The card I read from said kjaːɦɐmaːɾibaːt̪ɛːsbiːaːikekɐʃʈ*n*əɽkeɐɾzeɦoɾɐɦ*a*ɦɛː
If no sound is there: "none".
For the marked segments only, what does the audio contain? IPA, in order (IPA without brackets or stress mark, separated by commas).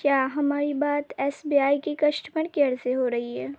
m, i